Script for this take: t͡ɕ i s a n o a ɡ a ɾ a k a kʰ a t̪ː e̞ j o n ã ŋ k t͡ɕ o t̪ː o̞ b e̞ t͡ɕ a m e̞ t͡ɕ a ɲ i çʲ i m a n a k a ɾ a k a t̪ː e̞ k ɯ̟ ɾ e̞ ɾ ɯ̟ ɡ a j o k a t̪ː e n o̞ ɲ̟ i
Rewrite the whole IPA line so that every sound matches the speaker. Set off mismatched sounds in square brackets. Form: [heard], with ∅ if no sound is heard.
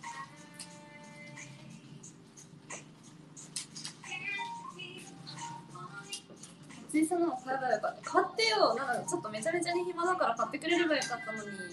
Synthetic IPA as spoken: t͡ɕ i s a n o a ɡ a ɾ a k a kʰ a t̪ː e̞ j o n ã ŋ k t͡ɕ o t̪ː o̞ [m] e̞ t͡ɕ a m e̞ t͡ɕ a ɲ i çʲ i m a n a k a ɾ a k a t̪ː e̞ k ɯ̟ ɾ e̞ ɾ ɯ̟ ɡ a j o k a t̪ː [a] n o̞ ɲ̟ i